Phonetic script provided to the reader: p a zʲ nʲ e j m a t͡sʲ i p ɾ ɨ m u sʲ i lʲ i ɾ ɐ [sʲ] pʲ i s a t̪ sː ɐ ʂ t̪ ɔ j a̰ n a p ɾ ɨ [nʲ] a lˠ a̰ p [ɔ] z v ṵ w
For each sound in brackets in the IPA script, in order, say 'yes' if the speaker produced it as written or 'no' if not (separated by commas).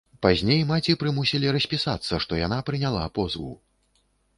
yes, yes, yes